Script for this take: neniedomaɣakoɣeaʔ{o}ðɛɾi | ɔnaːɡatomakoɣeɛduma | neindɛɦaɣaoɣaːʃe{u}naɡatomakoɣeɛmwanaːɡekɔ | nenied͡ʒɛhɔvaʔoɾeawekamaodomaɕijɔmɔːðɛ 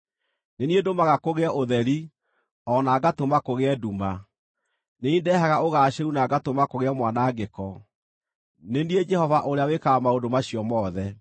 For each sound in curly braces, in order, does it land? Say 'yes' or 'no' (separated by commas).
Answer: yes, yes